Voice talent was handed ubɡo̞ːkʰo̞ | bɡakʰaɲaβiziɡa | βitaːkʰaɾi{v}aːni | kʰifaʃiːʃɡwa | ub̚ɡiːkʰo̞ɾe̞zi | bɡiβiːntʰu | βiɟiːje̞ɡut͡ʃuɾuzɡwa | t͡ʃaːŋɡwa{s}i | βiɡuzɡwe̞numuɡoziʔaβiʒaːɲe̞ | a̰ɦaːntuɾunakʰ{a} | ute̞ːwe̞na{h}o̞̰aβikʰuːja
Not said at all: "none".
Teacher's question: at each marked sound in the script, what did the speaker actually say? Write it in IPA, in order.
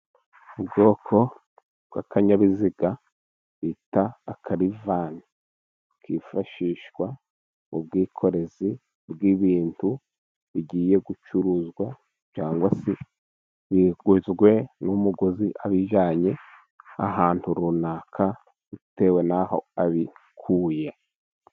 v, s, a, h

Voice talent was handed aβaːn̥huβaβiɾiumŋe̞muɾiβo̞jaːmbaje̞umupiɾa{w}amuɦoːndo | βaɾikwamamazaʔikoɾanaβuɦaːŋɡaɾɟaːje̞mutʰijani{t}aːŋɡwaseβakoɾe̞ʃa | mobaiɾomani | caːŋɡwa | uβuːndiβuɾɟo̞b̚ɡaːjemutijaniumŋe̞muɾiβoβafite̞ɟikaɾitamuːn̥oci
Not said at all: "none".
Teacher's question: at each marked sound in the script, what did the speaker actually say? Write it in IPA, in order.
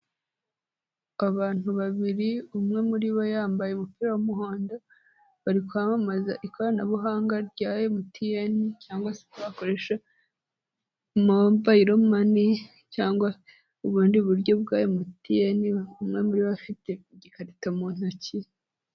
w, c

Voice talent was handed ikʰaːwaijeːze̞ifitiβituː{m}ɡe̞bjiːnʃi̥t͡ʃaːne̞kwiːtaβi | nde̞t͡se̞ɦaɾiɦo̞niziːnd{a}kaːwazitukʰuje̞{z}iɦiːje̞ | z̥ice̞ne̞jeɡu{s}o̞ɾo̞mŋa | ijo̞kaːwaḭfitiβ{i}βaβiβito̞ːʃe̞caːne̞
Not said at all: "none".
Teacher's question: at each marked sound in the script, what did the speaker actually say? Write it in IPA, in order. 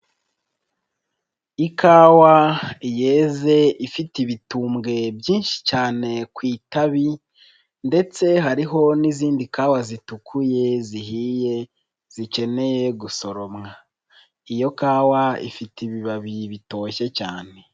m, i, z, s, i

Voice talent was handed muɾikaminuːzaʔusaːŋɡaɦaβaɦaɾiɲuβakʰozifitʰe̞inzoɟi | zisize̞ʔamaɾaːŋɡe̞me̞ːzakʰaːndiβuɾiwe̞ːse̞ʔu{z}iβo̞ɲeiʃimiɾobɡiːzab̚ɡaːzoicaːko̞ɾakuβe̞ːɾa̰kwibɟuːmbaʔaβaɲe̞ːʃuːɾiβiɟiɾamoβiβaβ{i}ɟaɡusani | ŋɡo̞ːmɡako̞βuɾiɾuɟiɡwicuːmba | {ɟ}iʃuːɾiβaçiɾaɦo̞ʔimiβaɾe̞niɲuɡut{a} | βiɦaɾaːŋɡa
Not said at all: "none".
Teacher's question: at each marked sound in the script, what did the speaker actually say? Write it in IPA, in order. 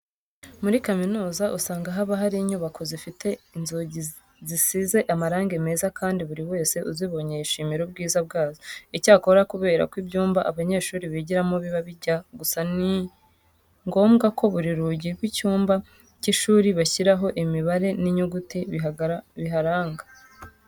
z, i, c, i

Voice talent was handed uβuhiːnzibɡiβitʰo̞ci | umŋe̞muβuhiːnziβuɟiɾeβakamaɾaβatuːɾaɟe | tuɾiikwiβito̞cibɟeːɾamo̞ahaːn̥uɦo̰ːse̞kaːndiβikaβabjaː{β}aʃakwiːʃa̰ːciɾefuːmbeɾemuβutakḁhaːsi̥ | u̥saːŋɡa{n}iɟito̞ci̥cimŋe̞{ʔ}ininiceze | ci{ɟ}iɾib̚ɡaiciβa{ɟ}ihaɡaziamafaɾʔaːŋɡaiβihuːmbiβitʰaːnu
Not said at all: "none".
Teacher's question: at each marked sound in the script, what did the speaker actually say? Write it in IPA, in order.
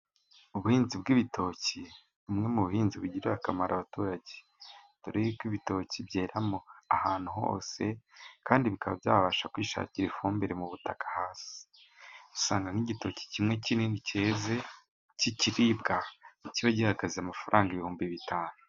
β, n, c, c, ɟ

